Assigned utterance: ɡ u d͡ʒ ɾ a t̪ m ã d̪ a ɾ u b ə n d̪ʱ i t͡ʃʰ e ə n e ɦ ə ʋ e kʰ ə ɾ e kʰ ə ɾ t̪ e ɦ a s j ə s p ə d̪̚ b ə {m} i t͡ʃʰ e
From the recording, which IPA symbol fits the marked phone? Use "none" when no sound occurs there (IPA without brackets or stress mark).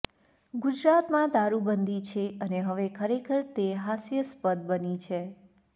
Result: n